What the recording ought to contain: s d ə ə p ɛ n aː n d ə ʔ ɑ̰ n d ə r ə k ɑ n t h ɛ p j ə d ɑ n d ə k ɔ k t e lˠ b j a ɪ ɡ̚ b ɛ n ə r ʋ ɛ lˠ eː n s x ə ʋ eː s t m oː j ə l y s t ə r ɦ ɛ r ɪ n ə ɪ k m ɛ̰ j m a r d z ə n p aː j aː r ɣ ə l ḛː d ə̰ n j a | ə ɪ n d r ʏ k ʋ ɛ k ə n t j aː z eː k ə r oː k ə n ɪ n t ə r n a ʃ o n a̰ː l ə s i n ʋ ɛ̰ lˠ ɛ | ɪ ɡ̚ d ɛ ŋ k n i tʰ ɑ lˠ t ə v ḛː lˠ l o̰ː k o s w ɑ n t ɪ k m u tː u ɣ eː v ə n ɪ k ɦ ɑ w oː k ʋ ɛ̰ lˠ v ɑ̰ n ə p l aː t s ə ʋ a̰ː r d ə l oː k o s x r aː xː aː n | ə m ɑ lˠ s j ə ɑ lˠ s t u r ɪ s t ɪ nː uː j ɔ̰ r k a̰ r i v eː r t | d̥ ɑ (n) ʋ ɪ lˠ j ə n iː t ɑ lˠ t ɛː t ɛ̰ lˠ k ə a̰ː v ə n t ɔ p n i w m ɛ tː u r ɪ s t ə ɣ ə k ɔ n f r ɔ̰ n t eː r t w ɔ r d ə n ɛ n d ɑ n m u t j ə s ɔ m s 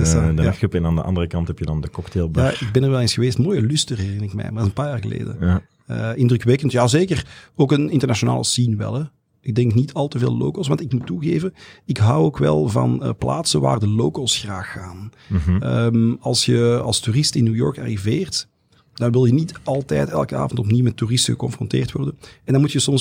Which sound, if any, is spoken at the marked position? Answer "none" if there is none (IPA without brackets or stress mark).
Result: n